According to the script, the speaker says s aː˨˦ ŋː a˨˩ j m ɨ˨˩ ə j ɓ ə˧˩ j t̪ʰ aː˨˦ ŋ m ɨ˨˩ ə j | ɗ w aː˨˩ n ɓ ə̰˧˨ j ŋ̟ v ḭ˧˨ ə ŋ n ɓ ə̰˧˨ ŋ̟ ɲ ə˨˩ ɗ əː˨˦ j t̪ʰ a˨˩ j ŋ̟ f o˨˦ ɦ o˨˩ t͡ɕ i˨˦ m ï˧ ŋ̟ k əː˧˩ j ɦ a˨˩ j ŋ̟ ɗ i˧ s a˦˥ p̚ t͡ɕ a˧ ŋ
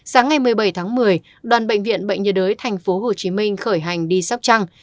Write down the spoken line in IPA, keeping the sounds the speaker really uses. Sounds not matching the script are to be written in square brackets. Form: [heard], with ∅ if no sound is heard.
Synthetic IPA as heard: s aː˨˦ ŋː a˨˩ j m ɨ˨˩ ə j ɓ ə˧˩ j t̪ʰ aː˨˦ ŋ m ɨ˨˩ ə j | ɗ w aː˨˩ n ɓ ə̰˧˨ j ŋ̟ v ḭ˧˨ ə [∅] n ɓ ə̰˧˨ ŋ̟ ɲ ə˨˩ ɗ əː˨˦ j t̪ʰ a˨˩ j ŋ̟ f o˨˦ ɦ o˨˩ t͡ɕ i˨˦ m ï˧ ŋ̟ [x] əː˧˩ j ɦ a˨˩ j ŋ̟ ɗ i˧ s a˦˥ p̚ t͡ɕ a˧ ŋ